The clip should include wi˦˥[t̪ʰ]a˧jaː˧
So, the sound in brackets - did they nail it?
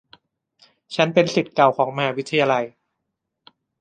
yes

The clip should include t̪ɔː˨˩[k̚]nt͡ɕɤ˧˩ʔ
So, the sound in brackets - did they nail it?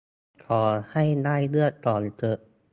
no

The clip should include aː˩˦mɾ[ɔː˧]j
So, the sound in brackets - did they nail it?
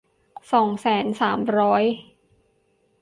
no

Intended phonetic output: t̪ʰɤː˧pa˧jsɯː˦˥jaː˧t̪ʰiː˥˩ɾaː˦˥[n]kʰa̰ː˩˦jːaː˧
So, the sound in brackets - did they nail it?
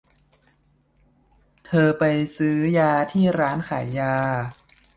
yes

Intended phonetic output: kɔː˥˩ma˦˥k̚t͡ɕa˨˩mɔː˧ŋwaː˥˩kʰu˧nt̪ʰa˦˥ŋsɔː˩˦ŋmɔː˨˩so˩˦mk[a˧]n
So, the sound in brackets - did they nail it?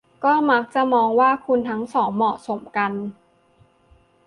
yes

